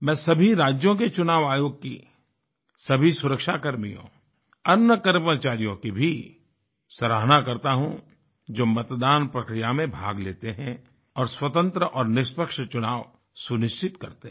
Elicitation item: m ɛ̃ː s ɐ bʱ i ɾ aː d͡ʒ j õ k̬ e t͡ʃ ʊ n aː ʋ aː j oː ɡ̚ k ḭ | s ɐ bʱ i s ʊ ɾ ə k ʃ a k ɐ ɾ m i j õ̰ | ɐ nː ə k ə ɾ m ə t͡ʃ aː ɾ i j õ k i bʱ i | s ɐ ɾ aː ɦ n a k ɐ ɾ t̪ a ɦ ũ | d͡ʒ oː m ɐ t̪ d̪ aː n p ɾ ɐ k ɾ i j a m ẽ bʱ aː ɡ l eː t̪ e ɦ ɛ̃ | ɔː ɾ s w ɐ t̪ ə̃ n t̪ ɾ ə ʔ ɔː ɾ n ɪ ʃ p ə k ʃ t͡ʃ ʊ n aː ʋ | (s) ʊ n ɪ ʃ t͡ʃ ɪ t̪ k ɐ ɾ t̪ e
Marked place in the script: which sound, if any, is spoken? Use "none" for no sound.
s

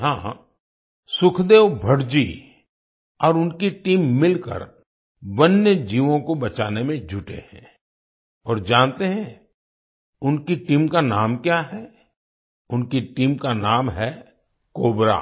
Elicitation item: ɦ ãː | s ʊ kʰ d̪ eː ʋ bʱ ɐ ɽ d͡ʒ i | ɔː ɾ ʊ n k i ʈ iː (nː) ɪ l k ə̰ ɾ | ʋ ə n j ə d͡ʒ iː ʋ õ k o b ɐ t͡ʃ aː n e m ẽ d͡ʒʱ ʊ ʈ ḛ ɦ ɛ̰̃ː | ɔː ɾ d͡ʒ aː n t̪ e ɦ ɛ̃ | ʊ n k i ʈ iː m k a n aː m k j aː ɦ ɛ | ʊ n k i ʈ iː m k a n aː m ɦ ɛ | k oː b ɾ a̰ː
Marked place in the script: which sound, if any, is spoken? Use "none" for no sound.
mː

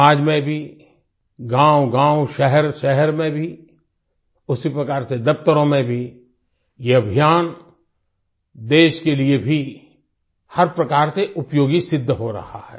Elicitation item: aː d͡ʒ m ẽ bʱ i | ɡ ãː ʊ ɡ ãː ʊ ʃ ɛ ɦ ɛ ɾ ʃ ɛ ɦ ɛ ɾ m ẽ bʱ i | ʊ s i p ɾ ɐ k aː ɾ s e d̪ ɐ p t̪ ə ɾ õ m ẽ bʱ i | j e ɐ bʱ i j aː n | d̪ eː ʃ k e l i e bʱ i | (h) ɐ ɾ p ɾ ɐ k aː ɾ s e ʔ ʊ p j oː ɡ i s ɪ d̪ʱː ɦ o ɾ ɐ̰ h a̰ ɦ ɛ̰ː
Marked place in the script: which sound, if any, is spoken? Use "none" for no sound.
h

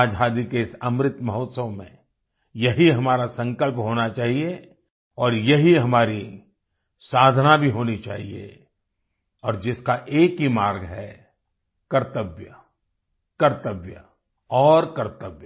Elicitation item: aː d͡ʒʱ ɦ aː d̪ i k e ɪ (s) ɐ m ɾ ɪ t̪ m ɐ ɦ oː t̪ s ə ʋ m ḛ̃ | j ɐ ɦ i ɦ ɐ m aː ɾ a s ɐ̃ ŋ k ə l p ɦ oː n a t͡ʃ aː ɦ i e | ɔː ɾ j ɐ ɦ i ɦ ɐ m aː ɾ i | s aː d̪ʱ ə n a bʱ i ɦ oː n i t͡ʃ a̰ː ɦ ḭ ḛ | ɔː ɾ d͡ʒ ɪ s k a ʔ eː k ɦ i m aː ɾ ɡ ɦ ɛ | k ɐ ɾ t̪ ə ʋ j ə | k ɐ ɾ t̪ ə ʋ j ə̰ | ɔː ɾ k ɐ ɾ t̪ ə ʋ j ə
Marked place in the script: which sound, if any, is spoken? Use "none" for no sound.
s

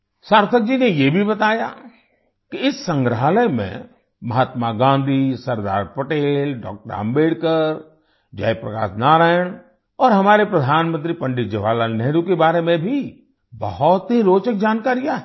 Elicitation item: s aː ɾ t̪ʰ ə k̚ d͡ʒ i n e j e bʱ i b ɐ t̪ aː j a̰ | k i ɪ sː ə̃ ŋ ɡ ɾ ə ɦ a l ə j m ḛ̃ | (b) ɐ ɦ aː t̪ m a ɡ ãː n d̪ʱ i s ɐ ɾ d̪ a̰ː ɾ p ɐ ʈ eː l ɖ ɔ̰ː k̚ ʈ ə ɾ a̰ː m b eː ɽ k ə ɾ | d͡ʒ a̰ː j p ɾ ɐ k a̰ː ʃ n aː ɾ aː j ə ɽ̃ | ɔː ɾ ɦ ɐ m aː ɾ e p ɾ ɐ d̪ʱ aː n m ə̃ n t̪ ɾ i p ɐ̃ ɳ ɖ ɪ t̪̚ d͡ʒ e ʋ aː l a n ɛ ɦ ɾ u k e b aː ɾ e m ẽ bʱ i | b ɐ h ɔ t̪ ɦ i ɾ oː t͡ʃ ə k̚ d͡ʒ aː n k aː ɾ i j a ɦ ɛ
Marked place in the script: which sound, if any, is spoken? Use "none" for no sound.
m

